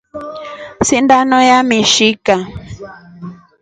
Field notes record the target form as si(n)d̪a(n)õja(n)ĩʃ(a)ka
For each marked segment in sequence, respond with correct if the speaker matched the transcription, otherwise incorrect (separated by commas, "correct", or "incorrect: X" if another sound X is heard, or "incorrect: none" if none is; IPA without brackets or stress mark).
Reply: correct, correct, incorrect: m, incorrect: i